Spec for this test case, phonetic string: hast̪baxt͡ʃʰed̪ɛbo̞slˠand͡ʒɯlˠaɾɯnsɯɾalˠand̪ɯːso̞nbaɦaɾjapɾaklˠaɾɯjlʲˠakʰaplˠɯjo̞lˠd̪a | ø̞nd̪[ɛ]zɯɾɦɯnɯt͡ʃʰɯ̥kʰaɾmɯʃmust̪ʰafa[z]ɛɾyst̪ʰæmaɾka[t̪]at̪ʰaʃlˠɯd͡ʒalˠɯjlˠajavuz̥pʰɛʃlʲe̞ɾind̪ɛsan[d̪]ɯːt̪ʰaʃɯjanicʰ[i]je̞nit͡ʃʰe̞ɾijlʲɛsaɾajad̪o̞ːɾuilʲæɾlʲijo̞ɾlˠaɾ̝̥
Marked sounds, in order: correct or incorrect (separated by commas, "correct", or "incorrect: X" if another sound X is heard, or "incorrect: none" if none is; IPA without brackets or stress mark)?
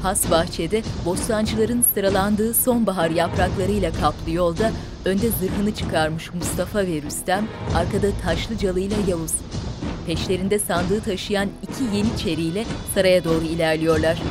correct, incorrect: v, incorrect: d̪, correct, correct